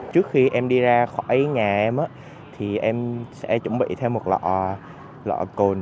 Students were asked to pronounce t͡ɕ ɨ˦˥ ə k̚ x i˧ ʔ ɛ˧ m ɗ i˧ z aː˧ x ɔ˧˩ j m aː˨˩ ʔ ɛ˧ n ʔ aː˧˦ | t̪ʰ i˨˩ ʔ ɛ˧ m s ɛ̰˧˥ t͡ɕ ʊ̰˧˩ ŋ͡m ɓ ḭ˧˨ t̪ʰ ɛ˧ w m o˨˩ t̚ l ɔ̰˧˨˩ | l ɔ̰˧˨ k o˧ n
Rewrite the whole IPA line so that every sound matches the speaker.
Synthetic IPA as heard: t͡ɕ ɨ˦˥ ə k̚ x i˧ ʔ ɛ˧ m ɗ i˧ z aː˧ x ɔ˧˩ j ɲ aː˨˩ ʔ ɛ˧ m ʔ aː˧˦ | t̪ʰ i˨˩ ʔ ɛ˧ m s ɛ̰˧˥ t͡ɕ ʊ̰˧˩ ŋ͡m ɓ ḭ˧˨ t̪ʰ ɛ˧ w m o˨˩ t̚ l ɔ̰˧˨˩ | l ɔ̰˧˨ k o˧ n